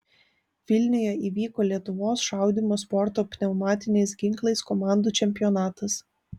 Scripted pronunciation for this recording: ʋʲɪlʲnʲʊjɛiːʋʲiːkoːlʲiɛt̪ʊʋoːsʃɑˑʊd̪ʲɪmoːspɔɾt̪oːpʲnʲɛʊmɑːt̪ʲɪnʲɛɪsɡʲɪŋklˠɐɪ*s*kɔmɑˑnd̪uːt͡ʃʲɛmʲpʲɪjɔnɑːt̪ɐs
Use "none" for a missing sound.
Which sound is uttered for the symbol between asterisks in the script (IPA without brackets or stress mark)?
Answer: s